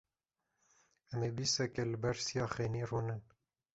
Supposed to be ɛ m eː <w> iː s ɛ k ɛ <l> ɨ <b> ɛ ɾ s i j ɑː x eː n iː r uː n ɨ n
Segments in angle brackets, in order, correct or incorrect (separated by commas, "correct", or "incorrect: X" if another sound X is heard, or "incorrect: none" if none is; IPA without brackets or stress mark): incorrect: b, correct, correct